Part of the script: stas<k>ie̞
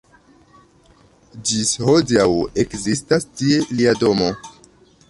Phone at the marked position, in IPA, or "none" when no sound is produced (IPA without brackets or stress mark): t